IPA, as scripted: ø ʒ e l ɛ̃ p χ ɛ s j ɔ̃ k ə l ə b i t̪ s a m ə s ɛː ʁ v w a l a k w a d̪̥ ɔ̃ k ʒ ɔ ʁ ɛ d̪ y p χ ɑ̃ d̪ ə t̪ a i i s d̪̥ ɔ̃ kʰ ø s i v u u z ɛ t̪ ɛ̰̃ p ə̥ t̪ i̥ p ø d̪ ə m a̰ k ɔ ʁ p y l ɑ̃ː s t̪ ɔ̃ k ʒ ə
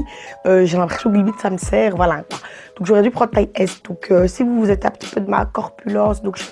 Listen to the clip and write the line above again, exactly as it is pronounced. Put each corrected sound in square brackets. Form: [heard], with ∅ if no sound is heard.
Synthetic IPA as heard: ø ʒ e l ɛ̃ p χ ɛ s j ɔ̃ k ə l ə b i t̪ s a m ə s ɛː ʁ v w a l a k w a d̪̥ ɔ̃ k ʒ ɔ ʁ ɛ d̪ y p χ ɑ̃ d̪ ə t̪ a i [ɛ] s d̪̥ ɔ̃ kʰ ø s i v u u z ɛ t̪ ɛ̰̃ p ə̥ t̪ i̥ p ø d̪ ə m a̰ k ɔ ʁ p y l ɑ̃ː s [d̪] ɔ̃ k ʒ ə